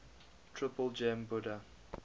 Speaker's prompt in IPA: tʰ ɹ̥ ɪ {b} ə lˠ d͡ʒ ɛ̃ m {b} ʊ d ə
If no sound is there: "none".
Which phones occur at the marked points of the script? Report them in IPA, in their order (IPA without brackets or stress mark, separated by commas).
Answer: p, b